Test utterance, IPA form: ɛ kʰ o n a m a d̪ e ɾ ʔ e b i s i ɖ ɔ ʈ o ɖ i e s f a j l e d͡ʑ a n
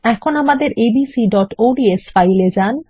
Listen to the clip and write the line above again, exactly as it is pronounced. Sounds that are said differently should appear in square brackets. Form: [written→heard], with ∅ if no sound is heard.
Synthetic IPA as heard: ɛ kʰ o n a m a d̪ e ɾ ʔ e b i s i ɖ ɔ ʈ o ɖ i e s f a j l e d͡ʑ a n